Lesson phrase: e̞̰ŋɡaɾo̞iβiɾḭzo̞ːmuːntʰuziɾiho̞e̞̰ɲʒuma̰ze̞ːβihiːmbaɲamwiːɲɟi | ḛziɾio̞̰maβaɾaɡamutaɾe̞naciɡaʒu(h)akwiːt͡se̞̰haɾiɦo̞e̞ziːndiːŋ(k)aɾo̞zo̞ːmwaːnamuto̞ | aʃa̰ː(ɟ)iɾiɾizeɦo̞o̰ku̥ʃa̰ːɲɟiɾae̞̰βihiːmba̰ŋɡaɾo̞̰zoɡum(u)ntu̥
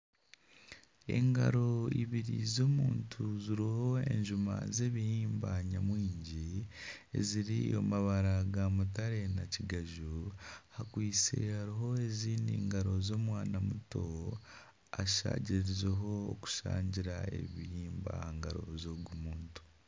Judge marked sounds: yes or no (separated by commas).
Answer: yes, no, yes, no